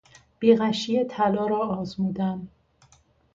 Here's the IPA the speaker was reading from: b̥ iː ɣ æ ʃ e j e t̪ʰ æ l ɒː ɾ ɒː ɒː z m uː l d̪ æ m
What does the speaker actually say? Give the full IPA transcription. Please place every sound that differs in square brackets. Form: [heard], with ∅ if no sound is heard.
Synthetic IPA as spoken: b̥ iː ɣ æ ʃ [i] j e t̪ʰ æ l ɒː ɾ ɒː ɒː z m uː [∅] d̪ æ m